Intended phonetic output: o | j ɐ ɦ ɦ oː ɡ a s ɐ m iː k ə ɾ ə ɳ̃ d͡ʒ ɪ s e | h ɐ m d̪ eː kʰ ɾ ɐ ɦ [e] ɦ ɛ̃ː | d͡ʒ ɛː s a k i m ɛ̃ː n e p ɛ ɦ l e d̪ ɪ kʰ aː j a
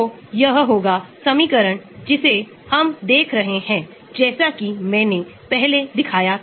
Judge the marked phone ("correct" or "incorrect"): correct